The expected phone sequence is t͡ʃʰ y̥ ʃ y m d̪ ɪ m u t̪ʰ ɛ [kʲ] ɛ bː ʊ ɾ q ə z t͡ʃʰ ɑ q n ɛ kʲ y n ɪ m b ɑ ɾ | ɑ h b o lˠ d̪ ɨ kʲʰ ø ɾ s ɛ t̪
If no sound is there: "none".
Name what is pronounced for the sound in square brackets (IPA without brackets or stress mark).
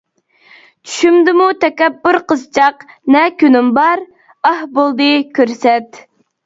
kʲ